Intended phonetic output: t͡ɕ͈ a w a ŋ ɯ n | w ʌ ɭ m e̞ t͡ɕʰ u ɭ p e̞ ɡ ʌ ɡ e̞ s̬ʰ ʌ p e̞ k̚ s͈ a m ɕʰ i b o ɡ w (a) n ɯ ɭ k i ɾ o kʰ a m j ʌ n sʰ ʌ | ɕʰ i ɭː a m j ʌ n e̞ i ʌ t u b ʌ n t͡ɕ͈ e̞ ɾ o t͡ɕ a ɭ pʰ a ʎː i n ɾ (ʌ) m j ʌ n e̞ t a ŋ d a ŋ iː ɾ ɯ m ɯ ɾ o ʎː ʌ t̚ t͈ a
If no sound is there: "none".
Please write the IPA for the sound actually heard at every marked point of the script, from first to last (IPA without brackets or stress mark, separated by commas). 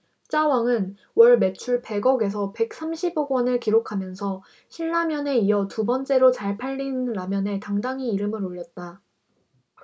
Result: ʌ, a